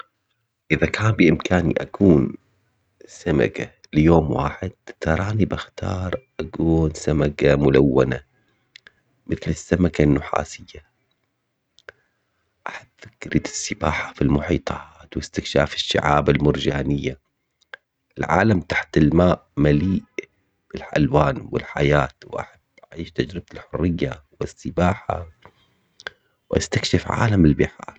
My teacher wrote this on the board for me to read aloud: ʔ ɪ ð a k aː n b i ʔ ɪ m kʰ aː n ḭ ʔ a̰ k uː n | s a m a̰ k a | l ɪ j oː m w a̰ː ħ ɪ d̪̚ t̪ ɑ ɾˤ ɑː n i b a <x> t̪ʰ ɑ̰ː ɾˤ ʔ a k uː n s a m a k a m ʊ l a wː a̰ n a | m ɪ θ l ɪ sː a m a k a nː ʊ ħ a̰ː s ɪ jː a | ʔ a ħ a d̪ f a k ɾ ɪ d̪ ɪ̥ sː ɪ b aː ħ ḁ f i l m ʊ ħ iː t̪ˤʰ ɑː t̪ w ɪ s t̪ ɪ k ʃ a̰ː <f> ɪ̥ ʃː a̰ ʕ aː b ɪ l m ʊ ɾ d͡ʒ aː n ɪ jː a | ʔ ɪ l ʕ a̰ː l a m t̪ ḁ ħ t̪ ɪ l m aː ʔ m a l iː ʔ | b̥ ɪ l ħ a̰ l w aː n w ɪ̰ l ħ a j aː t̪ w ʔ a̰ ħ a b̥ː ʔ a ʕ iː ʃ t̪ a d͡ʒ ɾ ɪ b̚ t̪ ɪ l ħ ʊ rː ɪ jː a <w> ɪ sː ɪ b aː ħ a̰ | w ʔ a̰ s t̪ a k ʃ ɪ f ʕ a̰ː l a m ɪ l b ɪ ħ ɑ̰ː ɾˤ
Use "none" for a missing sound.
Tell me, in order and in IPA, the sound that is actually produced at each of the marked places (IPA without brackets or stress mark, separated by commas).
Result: x, f, w